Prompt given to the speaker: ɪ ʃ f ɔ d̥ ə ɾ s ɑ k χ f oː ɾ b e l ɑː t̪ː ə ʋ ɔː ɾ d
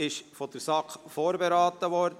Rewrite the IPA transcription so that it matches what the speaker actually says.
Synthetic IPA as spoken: ɪ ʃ f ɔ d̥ ə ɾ s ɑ k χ f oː ɾ b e ɾ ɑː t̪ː ə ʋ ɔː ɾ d